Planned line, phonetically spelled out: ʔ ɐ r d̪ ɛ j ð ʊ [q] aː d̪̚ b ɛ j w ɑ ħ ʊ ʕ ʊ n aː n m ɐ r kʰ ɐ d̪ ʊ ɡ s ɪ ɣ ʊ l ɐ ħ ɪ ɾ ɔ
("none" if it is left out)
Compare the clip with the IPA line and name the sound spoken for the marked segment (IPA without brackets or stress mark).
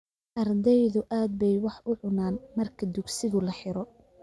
ʔ